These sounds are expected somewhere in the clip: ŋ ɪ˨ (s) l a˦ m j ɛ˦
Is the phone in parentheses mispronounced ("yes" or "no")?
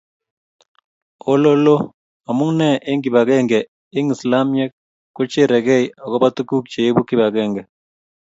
no